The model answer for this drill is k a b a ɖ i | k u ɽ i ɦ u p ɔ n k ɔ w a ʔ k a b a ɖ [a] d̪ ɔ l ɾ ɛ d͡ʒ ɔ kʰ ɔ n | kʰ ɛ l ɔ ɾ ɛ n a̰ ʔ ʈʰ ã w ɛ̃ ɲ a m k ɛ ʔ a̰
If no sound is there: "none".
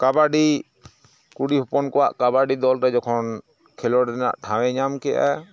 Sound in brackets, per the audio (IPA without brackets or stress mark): i